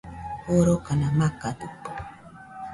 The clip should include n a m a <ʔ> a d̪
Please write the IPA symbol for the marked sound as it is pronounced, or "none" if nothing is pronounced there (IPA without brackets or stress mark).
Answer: k